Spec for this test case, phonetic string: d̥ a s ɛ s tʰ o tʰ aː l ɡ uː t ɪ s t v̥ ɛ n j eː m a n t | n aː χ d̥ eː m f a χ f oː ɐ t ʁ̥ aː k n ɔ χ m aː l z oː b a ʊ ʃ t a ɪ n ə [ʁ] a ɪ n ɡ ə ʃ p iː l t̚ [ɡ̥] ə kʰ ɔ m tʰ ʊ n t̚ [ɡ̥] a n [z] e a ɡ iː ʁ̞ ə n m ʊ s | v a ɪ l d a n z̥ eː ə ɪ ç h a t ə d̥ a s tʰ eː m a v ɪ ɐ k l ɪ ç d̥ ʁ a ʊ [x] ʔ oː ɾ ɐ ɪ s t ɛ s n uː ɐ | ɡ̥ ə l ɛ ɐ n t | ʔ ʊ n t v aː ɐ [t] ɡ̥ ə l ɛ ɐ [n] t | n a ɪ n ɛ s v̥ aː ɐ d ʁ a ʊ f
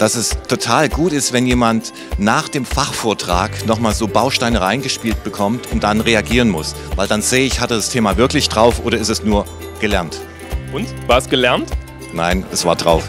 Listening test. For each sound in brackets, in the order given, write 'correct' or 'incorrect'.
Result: correct, incorrect, incorrect, incorrect, incorrect, incorrect, correct

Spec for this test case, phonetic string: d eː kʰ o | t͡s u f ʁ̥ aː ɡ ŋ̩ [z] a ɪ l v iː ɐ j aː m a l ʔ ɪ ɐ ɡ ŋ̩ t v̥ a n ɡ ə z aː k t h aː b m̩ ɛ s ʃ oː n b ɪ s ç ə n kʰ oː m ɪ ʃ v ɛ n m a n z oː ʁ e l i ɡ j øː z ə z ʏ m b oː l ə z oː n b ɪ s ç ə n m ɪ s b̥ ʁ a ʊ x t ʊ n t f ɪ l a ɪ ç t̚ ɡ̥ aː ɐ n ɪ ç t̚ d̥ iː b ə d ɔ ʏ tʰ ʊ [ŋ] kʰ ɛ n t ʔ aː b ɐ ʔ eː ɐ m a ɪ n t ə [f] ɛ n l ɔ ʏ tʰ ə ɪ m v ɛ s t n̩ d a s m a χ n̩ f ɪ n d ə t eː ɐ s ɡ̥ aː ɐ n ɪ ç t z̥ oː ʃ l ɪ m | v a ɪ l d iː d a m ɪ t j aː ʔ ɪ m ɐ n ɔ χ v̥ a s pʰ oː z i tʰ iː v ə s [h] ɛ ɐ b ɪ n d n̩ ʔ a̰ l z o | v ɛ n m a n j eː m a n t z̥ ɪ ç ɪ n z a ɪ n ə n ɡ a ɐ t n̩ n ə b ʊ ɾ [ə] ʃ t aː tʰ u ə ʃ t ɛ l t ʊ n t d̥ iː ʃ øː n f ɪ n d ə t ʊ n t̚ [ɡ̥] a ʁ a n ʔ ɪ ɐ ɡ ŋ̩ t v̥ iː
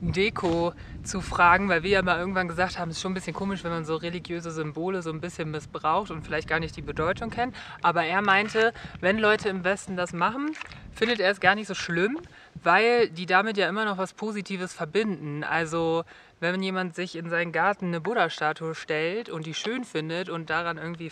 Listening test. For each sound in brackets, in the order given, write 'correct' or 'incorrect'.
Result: incorrect, correct, incorrect, incorrect, incorrect, incorrect

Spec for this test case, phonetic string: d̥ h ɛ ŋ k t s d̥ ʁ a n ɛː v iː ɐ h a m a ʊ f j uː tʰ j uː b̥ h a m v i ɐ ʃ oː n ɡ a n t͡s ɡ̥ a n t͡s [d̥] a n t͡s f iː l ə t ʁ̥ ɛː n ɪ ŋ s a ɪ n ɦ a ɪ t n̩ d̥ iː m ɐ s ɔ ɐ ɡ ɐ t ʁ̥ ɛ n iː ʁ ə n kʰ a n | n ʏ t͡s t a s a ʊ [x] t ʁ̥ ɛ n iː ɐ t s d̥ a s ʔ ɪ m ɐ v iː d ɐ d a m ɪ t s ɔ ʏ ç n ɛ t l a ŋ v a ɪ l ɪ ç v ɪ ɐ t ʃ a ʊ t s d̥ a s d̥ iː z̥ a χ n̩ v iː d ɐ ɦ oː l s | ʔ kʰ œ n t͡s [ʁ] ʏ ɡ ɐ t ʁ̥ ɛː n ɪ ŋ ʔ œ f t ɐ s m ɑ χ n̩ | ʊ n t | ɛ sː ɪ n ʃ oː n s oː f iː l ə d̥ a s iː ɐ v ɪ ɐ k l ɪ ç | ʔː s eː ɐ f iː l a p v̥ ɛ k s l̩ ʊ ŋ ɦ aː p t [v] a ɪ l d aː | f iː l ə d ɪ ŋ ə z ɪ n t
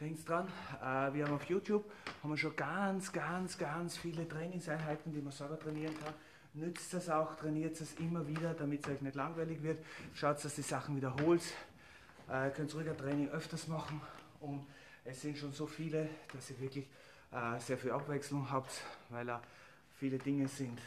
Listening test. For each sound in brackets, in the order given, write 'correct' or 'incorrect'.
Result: incorrect, correct, correct, correct

